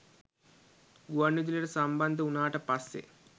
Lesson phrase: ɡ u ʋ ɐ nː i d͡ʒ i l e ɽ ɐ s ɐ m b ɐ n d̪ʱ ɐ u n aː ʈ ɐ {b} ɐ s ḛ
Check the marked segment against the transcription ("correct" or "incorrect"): incorrect